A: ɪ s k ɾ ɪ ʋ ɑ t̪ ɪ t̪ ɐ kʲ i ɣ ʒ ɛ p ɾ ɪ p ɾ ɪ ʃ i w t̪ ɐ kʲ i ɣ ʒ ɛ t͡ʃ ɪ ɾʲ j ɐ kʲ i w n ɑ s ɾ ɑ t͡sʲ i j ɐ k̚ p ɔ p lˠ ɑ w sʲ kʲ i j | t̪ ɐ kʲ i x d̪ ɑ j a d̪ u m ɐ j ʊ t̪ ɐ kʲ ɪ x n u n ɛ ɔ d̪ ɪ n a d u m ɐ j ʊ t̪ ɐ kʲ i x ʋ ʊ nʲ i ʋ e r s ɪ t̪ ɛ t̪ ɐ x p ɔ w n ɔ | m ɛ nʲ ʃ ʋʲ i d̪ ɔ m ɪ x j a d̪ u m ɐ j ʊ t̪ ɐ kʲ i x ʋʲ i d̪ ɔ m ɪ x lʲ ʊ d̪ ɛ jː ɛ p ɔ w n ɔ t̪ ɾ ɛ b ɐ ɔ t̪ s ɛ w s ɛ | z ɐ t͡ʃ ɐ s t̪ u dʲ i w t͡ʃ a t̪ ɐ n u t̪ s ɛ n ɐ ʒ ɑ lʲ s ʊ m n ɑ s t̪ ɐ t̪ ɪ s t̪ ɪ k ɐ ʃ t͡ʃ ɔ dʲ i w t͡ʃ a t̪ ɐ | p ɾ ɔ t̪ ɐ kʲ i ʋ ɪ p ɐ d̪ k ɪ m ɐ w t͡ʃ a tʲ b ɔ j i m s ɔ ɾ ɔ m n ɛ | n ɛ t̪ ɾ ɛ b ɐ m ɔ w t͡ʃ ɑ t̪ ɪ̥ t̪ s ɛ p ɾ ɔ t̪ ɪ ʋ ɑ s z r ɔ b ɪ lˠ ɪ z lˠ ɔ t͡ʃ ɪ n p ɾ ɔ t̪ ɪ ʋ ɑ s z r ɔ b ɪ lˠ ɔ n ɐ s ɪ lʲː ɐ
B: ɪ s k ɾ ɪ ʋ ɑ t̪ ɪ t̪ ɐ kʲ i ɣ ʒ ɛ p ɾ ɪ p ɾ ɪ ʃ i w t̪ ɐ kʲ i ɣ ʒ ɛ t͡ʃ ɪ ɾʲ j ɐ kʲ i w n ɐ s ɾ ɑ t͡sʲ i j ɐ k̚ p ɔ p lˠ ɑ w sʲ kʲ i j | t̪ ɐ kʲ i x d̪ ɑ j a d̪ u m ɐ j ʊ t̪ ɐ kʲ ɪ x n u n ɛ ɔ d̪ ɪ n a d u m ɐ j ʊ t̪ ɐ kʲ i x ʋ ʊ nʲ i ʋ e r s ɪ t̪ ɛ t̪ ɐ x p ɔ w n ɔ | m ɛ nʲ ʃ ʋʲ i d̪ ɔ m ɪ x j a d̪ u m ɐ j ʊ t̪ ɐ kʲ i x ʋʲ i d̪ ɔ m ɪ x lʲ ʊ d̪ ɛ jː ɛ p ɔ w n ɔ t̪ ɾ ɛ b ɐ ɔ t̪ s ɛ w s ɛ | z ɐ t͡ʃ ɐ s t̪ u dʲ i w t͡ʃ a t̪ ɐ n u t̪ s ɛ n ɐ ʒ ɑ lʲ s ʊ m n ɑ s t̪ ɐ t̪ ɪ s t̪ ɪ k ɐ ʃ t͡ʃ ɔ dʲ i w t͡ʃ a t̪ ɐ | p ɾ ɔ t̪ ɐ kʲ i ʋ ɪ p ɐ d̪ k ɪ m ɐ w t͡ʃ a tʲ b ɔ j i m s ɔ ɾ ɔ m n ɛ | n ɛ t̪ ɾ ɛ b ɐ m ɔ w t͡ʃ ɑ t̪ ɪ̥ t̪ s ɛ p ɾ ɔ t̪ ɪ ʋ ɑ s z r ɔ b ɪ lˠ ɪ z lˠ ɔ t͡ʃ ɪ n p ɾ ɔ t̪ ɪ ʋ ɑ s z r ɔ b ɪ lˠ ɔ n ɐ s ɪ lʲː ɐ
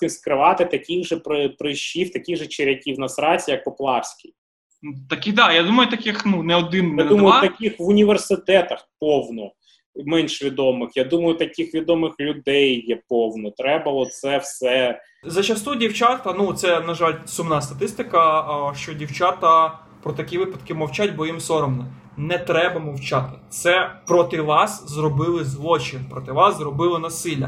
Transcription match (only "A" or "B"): B